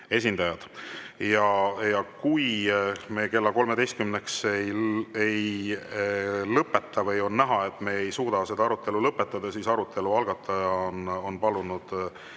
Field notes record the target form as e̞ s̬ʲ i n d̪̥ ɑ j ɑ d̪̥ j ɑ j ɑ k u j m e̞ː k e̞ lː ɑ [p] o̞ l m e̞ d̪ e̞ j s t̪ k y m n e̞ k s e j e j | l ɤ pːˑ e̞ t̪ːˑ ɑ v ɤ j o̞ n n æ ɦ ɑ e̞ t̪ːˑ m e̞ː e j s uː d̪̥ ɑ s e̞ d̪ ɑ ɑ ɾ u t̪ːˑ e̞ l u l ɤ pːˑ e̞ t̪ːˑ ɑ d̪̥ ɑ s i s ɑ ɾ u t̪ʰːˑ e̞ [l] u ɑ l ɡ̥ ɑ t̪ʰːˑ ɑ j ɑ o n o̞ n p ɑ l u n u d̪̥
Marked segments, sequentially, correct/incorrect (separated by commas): incorrect, correct